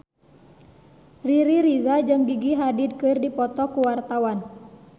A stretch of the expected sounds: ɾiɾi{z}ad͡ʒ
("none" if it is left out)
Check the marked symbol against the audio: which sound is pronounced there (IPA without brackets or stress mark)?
z